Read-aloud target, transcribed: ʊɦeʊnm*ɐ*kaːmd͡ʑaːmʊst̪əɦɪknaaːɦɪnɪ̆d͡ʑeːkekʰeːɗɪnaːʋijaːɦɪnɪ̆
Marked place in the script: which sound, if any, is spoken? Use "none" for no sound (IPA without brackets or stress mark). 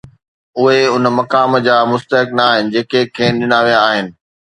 ɐ